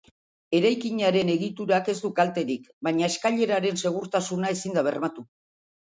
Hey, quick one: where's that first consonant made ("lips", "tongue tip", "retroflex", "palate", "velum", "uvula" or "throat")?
tongue tip